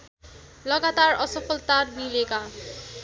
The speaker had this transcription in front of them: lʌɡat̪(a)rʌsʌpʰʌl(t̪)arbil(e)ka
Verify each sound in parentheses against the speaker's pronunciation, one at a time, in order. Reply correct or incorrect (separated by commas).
correct, correct, correct